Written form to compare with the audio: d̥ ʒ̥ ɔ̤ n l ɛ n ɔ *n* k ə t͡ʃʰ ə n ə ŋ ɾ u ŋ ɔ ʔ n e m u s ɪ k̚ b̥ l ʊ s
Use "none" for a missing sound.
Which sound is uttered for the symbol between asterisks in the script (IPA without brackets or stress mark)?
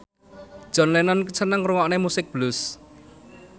n